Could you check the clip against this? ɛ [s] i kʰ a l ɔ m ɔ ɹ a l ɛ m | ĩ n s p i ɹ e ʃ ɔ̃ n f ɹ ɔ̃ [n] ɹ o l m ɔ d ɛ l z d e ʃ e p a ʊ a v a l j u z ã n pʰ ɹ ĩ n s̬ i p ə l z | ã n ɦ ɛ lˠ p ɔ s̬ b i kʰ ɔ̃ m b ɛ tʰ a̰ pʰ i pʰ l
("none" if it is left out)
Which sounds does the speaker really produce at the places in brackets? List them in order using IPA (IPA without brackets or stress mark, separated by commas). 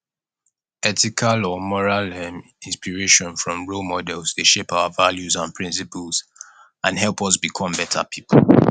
t, m